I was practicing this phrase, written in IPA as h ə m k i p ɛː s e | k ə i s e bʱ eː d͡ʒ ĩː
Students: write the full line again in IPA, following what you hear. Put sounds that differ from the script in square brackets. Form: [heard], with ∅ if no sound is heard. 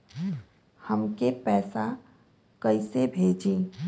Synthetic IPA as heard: h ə m k [e] p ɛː s [a] | k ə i s e bʱ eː d͡ʒ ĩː